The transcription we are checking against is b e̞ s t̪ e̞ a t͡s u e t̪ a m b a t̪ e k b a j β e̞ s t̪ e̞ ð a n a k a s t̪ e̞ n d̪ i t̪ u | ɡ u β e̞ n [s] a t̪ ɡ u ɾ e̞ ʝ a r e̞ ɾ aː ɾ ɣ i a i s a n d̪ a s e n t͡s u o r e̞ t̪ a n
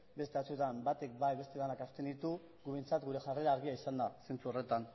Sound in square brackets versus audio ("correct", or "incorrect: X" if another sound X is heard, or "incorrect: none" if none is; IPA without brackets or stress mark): incorrect: t͡s